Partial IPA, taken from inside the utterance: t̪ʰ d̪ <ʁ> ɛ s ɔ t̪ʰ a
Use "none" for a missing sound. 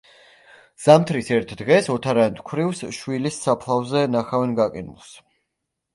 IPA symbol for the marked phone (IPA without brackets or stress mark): ʁ